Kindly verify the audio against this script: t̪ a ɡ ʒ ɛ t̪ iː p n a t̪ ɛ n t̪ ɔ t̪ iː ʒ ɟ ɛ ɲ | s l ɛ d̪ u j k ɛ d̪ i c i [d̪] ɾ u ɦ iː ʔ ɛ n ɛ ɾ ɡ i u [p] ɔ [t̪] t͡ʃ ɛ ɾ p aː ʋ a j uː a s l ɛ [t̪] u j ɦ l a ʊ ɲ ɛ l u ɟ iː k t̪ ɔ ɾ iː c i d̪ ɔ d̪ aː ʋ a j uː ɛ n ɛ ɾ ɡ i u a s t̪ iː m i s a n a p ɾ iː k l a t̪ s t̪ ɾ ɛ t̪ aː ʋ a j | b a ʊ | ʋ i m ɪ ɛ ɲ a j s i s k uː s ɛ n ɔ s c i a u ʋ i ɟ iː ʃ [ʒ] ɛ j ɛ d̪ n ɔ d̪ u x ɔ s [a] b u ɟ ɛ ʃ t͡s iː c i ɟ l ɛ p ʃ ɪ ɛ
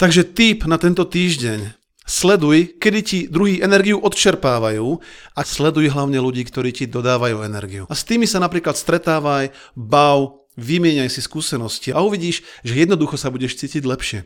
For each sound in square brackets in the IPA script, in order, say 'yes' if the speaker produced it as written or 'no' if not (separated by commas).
yes, no, yes, no, yes, yes